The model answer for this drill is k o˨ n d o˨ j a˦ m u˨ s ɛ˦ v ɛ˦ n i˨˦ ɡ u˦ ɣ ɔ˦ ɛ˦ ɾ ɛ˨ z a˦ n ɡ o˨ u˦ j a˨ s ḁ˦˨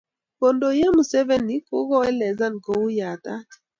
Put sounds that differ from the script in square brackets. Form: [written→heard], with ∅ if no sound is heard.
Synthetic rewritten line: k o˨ n d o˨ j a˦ m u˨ s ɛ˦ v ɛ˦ n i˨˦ [ɡ→k] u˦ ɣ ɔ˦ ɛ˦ [ɾ→l] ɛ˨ z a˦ n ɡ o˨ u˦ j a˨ [s→t] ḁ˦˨